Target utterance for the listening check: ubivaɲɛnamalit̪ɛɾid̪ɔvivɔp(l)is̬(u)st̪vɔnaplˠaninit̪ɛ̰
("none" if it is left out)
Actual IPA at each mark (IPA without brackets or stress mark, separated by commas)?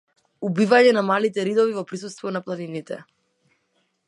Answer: ɾ, u